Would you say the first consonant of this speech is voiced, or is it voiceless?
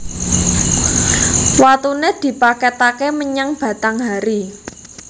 voiced